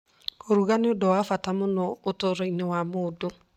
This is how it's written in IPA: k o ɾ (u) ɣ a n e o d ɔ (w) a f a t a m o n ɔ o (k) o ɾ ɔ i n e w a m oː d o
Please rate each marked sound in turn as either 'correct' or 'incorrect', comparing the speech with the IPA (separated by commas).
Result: correct, correct, incorrect